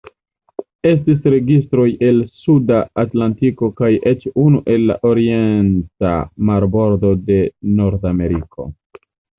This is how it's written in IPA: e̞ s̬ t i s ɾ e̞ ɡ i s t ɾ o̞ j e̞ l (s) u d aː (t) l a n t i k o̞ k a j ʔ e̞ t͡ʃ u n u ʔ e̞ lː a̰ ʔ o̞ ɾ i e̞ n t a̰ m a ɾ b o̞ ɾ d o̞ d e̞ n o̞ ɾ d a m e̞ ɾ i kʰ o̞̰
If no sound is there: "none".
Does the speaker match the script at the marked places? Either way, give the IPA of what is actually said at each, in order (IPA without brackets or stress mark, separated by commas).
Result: s, t